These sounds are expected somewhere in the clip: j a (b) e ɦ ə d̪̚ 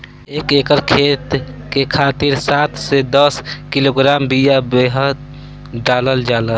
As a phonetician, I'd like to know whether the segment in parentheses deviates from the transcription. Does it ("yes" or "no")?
no